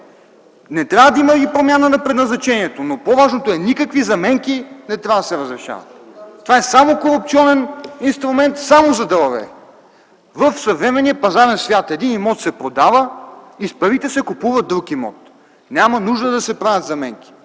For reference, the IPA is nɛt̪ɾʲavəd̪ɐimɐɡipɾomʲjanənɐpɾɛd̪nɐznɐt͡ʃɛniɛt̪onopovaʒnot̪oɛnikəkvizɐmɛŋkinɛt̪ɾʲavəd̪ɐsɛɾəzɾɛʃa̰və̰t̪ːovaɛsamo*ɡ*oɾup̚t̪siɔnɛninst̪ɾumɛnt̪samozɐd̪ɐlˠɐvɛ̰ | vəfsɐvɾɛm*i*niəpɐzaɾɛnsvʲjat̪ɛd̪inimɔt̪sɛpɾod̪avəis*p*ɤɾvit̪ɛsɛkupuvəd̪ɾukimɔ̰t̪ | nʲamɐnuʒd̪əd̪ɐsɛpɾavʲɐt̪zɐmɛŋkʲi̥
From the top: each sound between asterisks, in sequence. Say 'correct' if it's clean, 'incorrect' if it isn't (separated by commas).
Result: incorrect, incorrect, correct